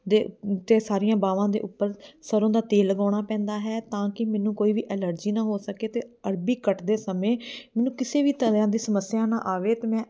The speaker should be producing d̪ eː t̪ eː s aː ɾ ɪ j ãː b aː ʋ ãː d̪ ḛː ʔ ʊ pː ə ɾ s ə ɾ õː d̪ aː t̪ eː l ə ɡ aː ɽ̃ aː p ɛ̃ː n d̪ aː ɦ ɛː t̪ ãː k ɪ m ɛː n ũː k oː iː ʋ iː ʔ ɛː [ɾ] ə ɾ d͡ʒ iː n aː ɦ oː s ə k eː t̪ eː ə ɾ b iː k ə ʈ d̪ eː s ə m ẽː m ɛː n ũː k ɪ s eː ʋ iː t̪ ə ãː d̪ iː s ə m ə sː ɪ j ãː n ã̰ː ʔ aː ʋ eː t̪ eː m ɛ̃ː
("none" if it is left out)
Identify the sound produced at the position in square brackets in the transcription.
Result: l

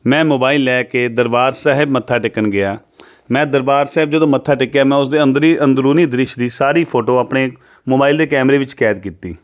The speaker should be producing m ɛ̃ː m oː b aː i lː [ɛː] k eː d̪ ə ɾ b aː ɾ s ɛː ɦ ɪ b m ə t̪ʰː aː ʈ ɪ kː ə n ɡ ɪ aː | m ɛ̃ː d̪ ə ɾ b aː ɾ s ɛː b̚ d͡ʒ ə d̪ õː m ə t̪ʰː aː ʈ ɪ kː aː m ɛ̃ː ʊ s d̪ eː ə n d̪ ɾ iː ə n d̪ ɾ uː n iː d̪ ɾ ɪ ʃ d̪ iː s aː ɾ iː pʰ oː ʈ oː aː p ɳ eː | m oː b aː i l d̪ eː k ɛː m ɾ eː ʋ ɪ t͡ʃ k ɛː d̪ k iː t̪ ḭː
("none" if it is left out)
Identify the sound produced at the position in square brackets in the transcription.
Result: ɛː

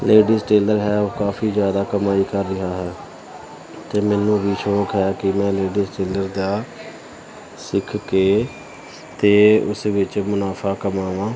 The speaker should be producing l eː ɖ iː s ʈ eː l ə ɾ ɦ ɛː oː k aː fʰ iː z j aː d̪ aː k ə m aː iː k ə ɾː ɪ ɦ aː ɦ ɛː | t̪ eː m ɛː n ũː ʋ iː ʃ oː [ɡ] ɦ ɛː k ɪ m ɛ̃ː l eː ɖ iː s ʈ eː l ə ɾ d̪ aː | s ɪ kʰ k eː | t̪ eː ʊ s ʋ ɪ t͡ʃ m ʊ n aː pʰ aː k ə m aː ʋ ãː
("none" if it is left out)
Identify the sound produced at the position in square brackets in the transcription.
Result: k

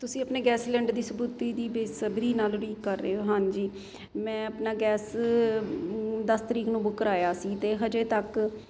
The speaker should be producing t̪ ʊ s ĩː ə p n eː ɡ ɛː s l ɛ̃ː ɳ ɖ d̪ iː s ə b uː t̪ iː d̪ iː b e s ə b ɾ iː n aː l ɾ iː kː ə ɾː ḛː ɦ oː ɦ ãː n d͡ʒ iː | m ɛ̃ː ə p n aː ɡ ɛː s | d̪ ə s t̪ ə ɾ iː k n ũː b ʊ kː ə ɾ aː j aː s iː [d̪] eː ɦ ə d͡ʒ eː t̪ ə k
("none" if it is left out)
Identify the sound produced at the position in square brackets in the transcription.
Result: t̪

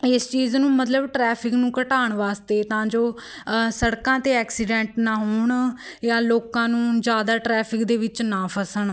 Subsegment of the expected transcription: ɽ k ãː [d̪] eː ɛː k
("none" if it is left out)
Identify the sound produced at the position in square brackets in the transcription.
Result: t̪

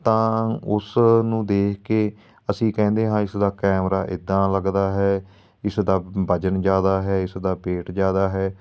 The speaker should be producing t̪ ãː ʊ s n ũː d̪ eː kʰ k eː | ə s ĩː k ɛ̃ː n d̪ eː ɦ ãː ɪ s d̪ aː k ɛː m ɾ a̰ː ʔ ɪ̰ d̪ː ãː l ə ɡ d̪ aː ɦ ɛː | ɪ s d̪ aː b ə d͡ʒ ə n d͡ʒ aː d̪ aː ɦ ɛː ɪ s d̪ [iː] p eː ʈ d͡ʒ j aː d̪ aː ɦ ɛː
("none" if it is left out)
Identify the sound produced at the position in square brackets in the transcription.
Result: aː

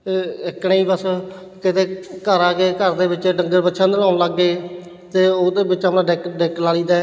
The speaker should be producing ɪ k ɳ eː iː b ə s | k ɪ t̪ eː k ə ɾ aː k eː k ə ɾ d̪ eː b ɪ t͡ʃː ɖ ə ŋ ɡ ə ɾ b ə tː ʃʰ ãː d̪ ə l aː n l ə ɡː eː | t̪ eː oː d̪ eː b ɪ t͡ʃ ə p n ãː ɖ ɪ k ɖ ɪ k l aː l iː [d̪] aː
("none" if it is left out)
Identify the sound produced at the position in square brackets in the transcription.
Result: d̪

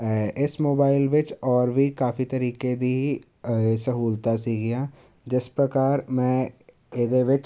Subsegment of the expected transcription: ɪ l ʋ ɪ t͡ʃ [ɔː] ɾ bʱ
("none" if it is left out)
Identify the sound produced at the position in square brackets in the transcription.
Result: ɔː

